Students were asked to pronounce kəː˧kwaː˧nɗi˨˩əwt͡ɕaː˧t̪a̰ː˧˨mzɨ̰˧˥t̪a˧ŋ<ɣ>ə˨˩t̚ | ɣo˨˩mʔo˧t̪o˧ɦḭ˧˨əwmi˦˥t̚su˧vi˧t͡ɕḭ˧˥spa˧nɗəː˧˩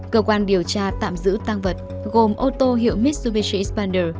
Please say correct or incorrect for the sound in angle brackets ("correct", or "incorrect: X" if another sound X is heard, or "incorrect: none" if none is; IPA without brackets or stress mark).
incorrect: v